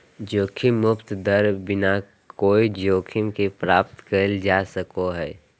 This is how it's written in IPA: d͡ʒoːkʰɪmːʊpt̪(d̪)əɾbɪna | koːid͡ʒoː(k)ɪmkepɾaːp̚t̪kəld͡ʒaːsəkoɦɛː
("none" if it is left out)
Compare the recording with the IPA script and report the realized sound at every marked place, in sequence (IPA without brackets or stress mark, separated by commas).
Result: d̪, kʰ